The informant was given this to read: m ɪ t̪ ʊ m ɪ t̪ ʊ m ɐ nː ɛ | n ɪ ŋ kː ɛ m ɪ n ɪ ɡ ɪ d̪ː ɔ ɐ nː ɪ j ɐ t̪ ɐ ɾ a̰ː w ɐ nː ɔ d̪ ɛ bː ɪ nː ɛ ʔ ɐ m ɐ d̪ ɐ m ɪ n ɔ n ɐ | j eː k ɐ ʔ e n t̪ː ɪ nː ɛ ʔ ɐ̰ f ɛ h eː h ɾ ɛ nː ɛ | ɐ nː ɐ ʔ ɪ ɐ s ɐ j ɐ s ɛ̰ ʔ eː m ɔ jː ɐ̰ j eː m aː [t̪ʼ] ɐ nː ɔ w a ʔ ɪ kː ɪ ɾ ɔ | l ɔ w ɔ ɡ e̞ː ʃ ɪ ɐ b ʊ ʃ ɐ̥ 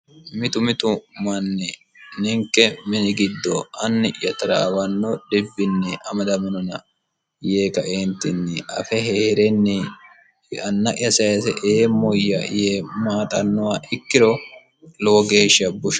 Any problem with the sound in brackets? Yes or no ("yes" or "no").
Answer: no